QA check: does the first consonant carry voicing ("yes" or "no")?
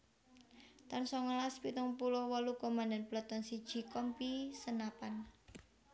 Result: no